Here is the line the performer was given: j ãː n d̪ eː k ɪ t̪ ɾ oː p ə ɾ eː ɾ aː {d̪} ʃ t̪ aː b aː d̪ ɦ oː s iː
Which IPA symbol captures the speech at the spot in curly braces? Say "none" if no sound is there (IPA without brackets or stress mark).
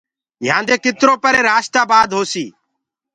none